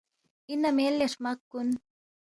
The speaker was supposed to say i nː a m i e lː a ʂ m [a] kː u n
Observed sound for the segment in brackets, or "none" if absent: a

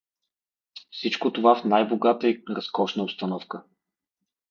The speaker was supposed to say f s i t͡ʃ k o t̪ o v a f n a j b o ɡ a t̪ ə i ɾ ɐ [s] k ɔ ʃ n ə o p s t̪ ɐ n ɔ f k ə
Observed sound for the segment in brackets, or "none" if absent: s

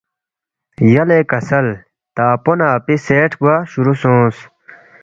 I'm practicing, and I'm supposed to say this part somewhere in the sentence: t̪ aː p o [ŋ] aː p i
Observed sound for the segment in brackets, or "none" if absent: n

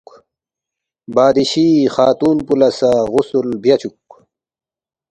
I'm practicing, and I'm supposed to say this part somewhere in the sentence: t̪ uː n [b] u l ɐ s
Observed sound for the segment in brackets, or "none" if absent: p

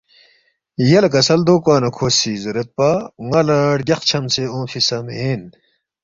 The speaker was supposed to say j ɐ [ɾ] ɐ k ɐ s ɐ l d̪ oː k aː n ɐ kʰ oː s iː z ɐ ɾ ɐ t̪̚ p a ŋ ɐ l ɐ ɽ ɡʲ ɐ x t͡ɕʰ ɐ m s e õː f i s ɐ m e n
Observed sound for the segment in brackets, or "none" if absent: l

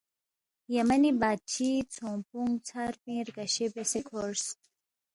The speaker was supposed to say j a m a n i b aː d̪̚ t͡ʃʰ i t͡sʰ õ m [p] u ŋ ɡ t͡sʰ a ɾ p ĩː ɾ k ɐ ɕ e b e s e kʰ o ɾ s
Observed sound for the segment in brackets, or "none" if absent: p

